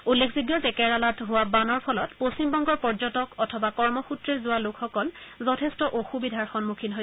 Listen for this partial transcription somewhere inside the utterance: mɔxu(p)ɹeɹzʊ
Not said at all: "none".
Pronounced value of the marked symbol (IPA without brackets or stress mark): t